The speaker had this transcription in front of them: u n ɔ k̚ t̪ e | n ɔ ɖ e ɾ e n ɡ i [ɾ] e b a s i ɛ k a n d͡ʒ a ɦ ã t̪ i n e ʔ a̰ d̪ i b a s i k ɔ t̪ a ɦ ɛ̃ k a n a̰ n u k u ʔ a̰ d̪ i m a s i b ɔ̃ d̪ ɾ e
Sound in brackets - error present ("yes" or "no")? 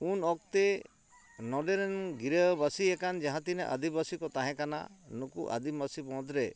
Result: no